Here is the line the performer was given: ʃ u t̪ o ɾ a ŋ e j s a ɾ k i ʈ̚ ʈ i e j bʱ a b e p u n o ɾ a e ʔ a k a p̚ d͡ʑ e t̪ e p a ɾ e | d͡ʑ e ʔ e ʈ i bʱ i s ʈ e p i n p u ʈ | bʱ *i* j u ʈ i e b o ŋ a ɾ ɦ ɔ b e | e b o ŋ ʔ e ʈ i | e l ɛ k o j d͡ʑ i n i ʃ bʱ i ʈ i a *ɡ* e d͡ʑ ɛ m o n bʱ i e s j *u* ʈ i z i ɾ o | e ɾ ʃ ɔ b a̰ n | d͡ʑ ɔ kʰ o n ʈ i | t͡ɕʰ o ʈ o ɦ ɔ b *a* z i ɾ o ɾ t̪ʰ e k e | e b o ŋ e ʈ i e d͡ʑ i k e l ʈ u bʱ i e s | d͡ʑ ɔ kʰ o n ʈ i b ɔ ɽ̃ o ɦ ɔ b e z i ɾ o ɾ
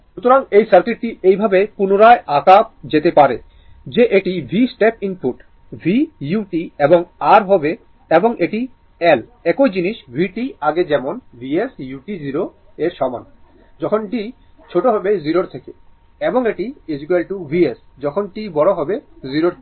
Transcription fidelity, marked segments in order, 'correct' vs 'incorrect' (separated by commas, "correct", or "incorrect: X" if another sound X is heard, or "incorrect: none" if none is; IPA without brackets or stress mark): correct, correct, correct, incorrect: e